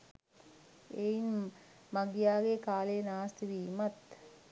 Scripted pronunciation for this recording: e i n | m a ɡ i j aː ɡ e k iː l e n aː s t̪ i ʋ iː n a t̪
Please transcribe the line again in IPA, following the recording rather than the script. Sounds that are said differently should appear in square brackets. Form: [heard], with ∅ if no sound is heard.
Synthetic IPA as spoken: e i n | m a ɡ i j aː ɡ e k [aː] l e n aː s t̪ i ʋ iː [m] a t̪